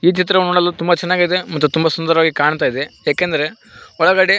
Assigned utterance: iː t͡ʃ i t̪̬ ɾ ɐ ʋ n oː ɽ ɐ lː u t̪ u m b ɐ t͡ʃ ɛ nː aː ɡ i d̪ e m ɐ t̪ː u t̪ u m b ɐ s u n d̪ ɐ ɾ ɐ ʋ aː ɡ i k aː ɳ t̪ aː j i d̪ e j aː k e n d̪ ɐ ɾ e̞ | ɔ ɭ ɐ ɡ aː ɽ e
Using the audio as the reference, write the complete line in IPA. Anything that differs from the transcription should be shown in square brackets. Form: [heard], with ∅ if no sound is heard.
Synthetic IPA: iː t͡ʃ i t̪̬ ɾ ɐ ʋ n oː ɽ ɐ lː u t̪ u m b ɐ t͡ʃ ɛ nː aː ɡ i d̪ e m ɐ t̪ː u t̪ u m b ɐ s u n d̪ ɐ ɾ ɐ ʋ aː ɡ i k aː ɳ t̪ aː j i d̪ e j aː k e n d̪ ɐ ɾ e̞ | ɔ ɭ ɐ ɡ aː ɽ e